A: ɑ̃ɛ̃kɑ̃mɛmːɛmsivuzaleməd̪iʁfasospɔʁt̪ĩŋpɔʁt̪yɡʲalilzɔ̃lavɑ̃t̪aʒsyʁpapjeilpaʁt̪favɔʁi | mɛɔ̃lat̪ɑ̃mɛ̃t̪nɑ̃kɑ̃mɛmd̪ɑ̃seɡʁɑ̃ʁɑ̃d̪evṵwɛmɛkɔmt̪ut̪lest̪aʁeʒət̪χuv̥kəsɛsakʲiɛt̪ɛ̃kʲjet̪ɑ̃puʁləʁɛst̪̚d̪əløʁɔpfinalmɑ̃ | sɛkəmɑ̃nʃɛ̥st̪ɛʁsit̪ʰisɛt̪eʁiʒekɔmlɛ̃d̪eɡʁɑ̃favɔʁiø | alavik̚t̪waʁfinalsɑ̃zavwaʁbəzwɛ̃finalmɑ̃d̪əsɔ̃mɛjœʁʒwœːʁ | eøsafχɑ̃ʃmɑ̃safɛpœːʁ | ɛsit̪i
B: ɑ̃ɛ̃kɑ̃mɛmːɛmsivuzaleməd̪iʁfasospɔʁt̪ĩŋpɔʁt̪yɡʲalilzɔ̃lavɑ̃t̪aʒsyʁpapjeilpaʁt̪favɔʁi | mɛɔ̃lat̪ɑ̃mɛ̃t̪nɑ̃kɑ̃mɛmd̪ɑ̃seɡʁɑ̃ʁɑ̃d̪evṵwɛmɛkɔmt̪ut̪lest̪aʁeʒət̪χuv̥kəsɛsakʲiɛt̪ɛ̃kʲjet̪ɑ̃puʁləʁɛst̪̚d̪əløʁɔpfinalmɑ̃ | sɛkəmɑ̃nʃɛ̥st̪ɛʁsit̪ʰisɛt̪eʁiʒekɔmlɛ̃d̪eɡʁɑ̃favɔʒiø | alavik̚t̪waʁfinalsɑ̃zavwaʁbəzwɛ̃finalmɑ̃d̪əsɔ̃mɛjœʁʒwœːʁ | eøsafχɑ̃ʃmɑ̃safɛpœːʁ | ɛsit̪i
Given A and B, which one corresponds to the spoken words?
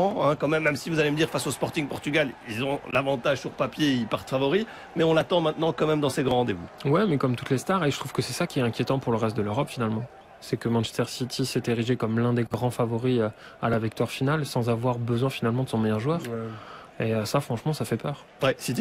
A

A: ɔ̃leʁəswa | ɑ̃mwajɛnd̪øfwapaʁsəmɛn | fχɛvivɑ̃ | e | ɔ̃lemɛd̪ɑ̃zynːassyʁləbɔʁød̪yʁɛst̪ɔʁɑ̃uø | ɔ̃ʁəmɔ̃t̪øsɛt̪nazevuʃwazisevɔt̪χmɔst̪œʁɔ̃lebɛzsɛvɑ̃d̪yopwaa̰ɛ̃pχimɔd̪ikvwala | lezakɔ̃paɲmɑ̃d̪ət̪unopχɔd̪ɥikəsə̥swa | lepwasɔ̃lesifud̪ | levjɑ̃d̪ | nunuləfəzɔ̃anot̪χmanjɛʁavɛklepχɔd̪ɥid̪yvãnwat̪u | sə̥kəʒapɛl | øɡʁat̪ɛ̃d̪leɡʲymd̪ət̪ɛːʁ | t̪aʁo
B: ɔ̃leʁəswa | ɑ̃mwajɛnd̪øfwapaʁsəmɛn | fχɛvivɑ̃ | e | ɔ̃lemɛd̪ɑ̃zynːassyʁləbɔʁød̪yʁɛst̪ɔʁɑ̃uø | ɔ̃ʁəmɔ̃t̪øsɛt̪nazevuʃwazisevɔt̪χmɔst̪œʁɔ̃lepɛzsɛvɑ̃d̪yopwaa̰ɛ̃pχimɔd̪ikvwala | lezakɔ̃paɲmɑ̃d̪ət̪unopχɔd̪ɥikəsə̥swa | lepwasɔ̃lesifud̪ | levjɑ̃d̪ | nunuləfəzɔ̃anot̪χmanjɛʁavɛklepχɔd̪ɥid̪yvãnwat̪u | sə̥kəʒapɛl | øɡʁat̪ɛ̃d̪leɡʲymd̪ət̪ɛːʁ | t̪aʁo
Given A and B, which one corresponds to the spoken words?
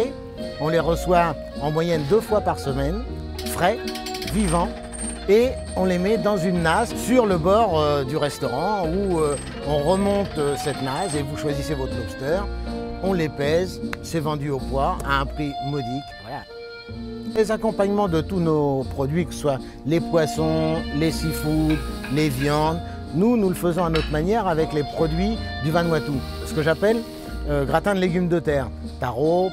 B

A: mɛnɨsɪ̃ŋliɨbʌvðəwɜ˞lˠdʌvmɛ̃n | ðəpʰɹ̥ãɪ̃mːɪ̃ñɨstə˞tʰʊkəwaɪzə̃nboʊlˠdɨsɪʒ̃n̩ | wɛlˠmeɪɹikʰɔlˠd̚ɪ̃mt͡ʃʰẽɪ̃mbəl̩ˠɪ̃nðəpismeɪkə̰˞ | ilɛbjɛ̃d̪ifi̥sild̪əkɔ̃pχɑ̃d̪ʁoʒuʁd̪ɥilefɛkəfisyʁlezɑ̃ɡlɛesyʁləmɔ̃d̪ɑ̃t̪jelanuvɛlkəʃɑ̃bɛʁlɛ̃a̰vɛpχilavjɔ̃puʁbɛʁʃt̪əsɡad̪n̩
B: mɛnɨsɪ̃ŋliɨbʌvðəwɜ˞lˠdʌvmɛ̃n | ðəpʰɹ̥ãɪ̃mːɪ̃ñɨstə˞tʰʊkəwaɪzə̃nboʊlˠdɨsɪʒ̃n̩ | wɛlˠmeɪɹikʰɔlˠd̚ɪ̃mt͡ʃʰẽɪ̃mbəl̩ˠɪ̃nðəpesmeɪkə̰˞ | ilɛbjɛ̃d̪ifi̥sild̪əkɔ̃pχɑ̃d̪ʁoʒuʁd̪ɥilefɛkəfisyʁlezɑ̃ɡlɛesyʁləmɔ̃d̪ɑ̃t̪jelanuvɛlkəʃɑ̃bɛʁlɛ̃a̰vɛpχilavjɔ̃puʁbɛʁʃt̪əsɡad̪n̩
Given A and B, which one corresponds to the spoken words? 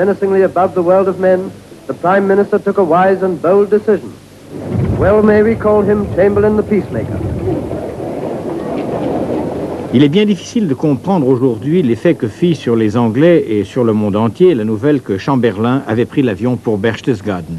A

